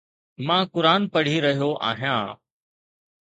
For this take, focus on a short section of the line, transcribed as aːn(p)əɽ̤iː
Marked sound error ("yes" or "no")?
no